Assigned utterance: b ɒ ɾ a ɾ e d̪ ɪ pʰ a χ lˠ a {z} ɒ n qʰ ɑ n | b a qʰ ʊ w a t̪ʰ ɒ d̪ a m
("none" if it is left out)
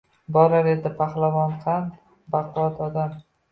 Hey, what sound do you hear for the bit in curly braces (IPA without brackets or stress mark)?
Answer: v